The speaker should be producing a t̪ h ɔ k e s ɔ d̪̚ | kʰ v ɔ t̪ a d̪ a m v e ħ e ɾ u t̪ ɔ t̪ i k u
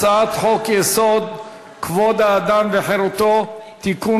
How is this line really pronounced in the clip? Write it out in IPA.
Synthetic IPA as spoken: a t̪ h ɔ k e s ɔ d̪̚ | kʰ v ɔ d̪ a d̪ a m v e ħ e ɾ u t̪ ɔ t̪ i k u